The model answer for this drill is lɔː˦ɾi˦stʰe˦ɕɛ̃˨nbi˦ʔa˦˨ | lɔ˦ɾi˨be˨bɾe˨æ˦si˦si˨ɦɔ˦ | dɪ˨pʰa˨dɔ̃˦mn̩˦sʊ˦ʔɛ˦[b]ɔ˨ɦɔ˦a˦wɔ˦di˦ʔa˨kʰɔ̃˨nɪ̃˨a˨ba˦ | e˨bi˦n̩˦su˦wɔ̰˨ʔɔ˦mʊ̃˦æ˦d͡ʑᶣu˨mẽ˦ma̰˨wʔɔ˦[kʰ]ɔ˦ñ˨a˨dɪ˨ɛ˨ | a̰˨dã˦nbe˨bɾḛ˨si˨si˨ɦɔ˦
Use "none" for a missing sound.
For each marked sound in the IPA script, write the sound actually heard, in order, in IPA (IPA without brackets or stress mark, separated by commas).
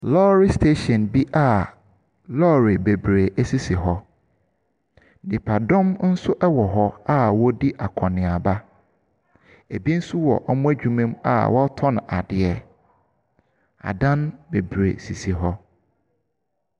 w, tʰ